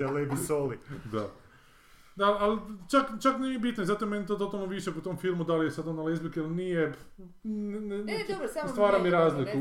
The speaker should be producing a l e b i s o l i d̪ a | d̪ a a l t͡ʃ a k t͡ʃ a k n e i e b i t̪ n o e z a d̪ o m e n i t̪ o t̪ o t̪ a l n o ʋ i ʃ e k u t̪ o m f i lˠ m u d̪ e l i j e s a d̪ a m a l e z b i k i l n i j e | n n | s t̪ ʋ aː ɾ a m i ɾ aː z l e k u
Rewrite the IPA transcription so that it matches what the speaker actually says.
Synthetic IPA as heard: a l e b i s o l i d̪ a | d̪ a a l t͡ʃ a k t͡ʃ a k n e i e b i t̪ n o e z a t̪ o m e n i t̪ o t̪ o t̪ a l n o ʋ i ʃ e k u t̪ o m f i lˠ m u d̪ a l i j e s a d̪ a n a l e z b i k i l n i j e | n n | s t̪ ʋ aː ɾ a m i ɾ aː z l i k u